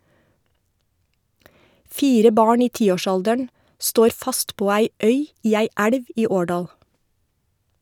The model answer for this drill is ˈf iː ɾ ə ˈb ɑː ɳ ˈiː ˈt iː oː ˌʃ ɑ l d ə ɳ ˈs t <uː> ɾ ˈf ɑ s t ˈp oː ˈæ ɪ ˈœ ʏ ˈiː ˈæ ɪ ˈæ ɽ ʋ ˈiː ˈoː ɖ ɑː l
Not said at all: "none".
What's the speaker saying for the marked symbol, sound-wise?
oː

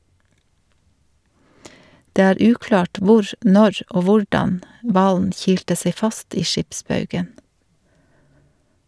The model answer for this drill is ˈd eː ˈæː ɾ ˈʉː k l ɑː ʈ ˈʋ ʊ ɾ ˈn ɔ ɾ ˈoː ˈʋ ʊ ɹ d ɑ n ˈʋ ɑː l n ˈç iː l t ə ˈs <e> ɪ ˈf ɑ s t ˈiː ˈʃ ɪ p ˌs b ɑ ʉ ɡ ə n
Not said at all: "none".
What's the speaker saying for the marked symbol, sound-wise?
e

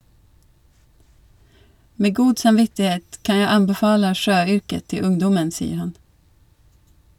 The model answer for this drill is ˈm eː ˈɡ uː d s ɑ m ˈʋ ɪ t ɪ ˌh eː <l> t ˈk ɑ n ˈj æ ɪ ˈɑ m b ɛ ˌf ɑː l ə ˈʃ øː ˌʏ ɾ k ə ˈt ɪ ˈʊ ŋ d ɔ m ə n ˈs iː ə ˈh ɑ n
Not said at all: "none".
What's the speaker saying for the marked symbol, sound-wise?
none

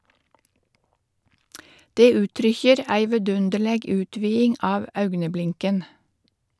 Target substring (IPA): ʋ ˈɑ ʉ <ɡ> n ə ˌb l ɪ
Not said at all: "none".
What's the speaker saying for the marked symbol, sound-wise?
ɡ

